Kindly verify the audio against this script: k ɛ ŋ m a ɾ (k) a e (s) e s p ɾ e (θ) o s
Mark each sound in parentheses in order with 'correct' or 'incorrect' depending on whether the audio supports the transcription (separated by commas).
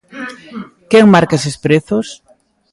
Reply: correct, correct, correct